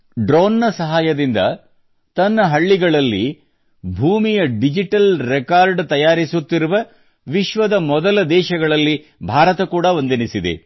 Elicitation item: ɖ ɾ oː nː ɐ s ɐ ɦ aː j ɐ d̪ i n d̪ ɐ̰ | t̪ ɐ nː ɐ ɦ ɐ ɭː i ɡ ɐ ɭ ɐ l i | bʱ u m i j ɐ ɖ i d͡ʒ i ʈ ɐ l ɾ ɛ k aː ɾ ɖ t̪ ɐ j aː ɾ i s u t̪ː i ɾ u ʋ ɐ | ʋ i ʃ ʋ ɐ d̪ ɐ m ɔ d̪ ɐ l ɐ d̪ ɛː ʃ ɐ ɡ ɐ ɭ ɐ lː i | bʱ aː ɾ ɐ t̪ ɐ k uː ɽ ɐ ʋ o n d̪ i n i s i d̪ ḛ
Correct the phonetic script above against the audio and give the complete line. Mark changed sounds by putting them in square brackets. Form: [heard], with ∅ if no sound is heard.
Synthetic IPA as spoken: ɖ ɾ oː nː ɐ s ɐ ɦ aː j ɐ d̪ i n d̪ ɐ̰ | t̪ ɐ nː ɐ ɦ ɐ ɭː i ɡ ɐ ɭ ɐ [lː] i | bʱ [uː] m i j ɐ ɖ i d͡ʒ i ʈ ɐ l ɾ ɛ k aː ɾ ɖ t̪ ɐ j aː ɾ i s u t̪ː i ɾ u ʋ ɐ | ʋ i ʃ ʋ ɐ d̪ ɐ m ɔ d̪ ɐ l ɐ d̪ ɛː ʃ ɐ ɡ ɐ ɭ ɐ lː i | bʱ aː ɾ ɐ t̪ ɐ k uː ɽ ɐ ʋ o n d̪ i n i s i d̪ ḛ